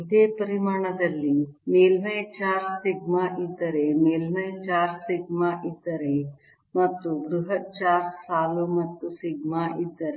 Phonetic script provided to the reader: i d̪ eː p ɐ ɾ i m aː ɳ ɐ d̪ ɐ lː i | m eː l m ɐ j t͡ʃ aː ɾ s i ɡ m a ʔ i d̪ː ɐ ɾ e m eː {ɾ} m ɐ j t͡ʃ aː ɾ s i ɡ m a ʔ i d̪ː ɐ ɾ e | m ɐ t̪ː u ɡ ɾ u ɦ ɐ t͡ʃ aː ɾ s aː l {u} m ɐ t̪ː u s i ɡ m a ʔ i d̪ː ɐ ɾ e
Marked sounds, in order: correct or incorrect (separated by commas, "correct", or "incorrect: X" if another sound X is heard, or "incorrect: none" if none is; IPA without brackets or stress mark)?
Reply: incorrect: l, correct